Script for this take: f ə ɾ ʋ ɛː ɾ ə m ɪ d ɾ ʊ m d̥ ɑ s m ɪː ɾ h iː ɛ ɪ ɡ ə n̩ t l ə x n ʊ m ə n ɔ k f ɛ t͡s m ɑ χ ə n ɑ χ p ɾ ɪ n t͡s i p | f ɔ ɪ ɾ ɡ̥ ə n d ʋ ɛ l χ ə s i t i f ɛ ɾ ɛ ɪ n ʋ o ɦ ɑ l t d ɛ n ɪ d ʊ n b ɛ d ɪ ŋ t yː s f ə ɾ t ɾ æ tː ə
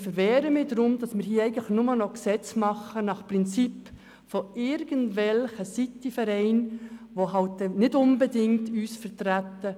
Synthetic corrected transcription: f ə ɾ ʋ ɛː ɾ ə m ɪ d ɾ ʊ m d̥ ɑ s m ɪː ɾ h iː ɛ ɪ ɡ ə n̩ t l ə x n ʊ m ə n ɔ k s ɛ t͡s m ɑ χ ə n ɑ χ p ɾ ɪ n t͡s i p | f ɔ ɪ ɾ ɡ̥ ə n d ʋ ɛ l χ ə s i t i f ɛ ɾ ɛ ɪ n ʋ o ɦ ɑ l t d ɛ n ɪ d ʊ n b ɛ d ɪ ŋ t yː s f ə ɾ t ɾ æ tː ə

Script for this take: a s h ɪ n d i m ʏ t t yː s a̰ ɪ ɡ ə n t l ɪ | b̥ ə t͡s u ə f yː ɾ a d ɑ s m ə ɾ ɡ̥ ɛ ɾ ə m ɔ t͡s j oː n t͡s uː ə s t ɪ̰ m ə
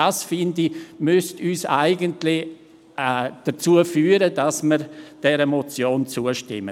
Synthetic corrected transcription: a s f ɪ n d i m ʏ s t yː s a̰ ɪ ɡ ə n t l ɪ | d̥ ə t͡s u ə f yː ɾ ə d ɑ s m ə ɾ d̥ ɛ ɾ ə m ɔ t͡s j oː n t͡s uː ə ʃ t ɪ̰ m ə

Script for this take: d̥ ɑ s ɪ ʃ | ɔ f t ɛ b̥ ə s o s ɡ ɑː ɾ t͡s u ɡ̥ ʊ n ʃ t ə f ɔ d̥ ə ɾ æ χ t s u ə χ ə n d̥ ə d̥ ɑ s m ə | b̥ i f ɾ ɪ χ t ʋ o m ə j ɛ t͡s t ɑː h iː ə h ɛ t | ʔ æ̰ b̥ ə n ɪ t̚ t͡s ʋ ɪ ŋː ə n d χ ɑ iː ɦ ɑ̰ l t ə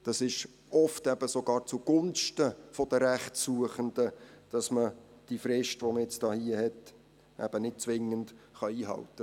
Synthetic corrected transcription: d̥ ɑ s ɪ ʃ | ɔ f t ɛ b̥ ə s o ɡ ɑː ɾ t͡s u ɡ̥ ʊ n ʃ t ə f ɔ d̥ ə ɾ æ χ t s u ə χ ə n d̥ ə d̥ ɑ s m ə | d̥ i f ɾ ɪ ʃ t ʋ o m ə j ɛ t͡s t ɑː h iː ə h ɛ t | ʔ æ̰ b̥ ə n ɪ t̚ t͡s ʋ ɪ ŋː ə n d χ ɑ iː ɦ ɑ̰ l t ə

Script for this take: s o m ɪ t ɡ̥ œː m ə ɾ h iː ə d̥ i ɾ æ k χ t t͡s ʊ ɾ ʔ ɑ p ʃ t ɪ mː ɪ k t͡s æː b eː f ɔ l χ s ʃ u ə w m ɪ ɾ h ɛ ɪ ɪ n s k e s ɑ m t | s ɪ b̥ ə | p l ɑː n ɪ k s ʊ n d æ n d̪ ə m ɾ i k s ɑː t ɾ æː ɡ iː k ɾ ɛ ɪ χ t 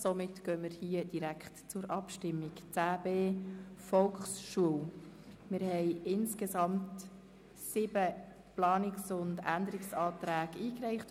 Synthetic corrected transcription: s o m ɪ t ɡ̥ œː m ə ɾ h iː ə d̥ i ɾ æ k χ t t͡s ʊ ɾ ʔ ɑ p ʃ t ɪ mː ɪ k t͡s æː b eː f ɔ l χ s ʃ u ə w m ɪ ɾ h ɛ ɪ ɪ n s k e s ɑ m t | s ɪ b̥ ə | p l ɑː n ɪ k s ʊ n d æ n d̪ ə ɾ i k s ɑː t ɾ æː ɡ iː k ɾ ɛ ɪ χ t

